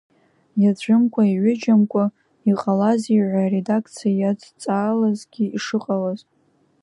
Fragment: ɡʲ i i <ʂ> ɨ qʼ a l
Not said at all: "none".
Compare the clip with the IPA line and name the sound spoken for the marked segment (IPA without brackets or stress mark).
ʂ